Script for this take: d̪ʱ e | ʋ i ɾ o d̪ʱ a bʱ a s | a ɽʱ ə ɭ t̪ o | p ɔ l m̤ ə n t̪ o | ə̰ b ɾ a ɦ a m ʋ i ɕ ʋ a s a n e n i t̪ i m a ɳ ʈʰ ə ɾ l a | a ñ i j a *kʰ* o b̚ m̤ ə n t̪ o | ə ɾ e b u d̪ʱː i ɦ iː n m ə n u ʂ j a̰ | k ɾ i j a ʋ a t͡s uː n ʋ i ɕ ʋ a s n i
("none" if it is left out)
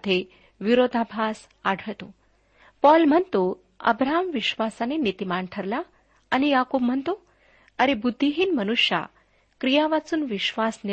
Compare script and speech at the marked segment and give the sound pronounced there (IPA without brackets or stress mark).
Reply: k